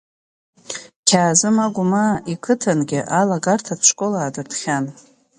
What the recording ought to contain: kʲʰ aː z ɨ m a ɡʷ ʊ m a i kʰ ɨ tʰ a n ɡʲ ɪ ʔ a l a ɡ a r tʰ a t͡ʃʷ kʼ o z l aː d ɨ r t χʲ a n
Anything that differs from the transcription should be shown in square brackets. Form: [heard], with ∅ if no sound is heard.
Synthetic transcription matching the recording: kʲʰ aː z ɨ m a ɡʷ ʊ m a i kʰ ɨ tʰ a n ɡʲ ɪ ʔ a l a ɡ a r tʰ a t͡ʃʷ kʼ o [∅] l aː d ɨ r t χʲ a n